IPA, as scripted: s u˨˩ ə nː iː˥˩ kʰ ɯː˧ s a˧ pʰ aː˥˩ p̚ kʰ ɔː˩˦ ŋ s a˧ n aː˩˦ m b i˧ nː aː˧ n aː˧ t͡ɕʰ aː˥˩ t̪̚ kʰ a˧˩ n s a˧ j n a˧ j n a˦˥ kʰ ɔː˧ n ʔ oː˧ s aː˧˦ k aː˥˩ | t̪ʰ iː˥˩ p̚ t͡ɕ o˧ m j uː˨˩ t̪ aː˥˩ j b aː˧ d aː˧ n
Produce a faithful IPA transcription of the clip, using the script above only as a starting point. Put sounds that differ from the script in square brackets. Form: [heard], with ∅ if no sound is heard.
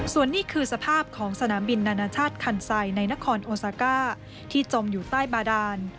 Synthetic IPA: s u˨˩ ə nː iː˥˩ kʰ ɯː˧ s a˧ pʰ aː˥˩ p̚ kʰ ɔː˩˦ ŋ s a˧ n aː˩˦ m b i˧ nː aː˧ n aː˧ t͡ɕʰ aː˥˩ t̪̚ kʰ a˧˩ n s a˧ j n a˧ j n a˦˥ kʰ ɔː˧ n ʔ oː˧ s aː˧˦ k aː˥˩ | t̪ʰ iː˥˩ [∅] t͡ɕ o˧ m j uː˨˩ t̪ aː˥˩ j b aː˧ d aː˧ n